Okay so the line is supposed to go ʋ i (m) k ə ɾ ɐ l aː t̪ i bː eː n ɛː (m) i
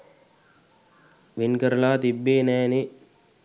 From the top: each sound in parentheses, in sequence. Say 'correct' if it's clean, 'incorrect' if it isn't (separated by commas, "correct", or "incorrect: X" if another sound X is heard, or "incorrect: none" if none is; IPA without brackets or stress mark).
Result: incorrect: n, incorrect: n